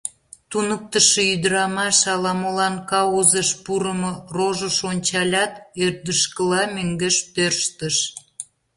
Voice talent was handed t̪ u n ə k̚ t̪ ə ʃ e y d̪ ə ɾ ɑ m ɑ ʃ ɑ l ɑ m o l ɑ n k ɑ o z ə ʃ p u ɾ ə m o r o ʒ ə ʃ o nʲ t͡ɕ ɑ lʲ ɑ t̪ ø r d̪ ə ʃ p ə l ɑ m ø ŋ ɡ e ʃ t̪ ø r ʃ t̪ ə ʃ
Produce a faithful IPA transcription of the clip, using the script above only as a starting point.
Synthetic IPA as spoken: t̪ u n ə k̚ t̪ ə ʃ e y d̪ ə ɾ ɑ m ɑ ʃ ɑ l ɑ m o l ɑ n k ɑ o z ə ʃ p u ɾ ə m o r o ʒ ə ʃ o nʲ t͡ɕ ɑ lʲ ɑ t̪ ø r d̪ ə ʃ k ə l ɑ m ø ŋ ɡ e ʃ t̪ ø r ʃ t̪ ə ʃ